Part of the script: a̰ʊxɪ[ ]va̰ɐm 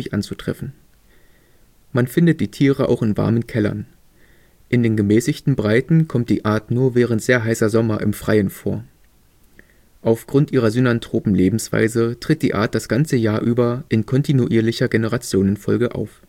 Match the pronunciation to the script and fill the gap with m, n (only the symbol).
n